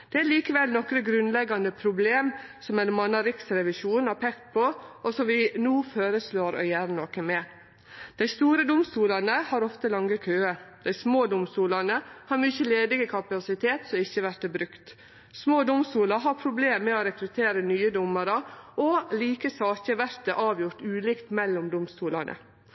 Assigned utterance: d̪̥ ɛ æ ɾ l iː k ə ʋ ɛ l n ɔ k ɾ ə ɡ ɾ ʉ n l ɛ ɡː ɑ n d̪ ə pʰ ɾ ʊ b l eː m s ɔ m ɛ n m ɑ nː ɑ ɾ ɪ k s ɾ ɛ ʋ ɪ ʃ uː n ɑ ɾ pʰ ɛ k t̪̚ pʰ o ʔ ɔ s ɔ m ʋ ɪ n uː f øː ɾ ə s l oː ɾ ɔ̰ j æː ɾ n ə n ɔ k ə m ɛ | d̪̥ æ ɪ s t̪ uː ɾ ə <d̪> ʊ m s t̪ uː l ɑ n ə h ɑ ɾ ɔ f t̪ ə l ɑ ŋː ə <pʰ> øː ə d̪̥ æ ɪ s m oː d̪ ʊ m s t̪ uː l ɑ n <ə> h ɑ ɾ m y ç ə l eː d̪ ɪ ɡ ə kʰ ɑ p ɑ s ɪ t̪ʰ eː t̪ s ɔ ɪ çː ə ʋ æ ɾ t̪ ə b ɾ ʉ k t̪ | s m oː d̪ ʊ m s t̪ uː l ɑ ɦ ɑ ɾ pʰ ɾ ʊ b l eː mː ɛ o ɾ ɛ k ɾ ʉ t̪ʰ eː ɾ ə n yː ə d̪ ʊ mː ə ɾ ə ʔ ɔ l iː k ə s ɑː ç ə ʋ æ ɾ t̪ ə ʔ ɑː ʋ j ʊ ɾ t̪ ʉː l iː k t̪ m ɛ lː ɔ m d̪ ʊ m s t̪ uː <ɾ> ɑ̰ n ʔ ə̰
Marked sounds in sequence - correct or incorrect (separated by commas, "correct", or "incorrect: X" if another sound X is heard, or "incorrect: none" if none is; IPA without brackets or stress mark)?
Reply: correct, incorrect: kʰ, correct, incorrect: l